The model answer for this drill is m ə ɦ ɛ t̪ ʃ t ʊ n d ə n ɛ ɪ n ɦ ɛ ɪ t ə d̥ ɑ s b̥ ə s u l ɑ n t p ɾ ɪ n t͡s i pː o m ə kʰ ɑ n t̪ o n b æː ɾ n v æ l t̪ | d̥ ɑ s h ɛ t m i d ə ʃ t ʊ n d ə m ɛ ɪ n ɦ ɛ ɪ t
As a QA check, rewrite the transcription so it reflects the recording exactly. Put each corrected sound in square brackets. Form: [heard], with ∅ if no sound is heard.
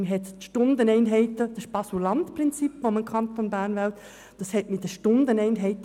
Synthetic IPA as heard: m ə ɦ ɛ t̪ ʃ t ʊ n d ə n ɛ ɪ n ɦ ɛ ɪ t ə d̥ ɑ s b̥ [ɑ] s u l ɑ n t p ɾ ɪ n t͡s i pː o m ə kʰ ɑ n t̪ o n b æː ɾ n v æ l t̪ | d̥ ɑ s h ɛ t m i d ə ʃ t ʊ n d ə [n] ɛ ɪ n ɦ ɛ ɪ t